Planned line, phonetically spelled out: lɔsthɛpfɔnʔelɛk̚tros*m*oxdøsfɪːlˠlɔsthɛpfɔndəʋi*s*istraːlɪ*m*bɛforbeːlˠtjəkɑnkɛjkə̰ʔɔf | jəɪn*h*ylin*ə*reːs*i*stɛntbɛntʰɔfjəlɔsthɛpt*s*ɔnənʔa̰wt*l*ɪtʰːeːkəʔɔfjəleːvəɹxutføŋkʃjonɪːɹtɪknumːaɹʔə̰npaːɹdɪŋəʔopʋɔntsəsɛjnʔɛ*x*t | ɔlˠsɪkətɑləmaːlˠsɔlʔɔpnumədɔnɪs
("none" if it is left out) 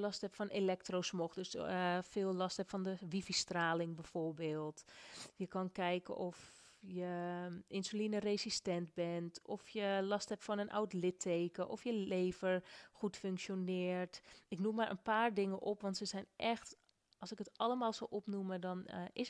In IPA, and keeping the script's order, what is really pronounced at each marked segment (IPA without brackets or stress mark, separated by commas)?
m, f, ŋ, s, ə, i, f, l, x